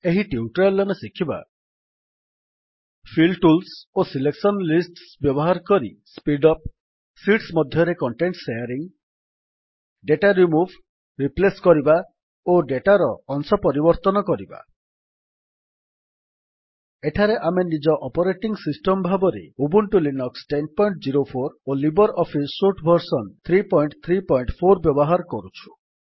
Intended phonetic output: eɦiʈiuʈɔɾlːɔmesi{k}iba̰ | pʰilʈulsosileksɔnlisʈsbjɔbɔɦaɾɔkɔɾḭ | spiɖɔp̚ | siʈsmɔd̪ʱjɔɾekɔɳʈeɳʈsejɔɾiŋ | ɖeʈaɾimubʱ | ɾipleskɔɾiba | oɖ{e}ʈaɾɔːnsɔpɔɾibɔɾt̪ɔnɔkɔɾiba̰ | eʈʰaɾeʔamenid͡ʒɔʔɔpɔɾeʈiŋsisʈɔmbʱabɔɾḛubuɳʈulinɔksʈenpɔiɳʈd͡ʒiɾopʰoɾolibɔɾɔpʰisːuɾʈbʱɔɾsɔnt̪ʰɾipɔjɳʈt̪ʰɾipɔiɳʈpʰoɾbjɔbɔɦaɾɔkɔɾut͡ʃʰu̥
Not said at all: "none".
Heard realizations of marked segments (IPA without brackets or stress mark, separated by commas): kʰ, e